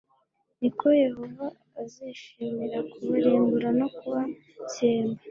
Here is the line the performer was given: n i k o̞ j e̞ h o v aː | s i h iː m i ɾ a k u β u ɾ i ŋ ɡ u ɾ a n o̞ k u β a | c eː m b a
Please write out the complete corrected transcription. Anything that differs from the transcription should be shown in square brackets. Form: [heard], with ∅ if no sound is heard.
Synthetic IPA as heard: n i k o̞ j e̞ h o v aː | [z] i [ʃ] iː m i ɾ a k u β u ɾ [iː] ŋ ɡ u ɾ a n o̞ k u β a | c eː m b a